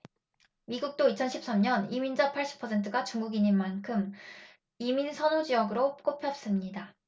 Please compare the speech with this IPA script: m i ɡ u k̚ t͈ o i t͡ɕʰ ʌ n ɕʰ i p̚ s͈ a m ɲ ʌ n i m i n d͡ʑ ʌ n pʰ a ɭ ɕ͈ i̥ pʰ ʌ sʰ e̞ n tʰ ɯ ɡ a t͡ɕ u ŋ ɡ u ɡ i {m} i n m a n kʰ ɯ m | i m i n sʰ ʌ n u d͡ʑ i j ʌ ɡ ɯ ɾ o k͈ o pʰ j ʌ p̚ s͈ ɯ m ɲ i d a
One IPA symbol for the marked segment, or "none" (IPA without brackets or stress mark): ɲ